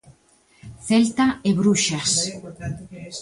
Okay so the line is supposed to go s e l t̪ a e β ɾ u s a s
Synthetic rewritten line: θ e l t̪ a e β ɾ u ʃ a s